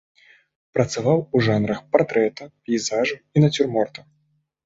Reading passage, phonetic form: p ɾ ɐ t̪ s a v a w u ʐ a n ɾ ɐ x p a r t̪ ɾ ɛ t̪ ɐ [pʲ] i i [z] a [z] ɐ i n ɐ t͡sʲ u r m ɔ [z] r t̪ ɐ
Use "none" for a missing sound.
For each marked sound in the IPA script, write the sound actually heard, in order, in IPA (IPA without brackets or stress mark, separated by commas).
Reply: pʲ, z, ʐ, none